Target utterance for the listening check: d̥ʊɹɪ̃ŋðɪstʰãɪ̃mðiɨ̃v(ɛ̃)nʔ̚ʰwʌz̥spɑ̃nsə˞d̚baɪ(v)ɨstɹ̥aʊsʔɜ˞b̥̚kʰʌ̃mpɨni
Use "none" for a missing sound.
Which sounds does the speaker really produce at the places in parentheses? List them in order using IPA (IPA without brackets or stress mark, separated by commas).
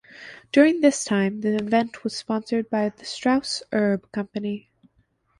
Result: ɛ̃, ð